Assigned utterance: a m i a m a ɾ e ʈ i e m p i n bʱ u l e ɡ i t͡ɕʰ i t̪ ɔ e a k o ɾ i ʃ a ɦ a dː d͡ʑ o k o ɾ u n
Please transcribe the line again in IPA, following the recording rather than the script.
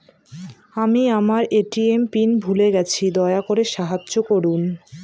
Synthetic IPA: a m i a m a ɾ e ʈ i e m p i n bʱ u l e ɡ ɛ t͡ɕʰ i d̪ ɔ e a k o ɾ e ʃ a ɦ a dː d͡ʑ o k o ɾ u n